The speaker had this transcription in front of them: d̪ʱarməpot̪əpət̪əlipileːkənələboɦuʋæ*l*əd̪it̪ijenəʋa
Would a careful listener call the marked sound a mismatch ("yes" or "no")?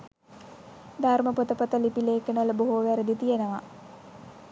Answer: yes